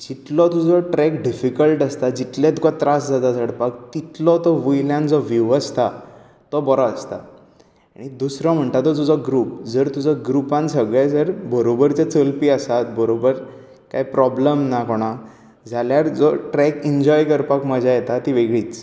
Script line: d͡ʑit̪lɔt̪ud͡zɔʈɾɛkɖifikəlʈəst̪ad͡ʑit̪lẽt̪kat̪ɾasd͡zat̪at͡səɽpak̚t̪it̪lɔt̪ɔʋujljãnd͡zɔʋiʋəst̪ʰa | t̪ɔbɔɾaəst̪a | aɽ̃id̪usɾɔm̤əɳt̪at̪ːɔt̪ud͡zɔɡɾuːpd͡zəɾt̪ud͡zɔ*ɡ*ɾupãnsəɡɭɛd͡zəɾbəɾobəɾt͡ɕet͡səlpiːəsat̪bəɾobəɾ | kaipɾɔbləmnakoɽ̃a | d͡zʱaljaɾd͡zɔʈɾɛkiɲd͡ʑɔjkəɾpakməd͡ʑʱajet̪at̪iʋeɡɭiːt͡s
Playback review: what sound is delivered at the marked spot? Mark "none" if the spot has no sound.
ɡ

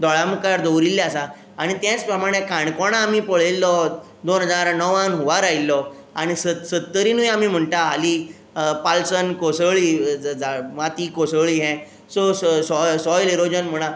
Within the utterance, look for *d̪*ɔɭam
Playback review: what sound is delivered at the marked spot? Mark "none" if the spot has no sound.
d̪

